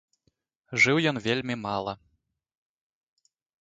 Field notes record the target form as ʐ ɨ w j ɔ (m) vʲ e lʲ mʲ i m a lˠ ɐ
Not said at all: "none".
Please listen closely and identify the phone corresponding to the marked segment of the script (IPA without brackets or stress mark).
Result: n